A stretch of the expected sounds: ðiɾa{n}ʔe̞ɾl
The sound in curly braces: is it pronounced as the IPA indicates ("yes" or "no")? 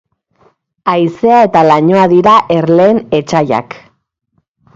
no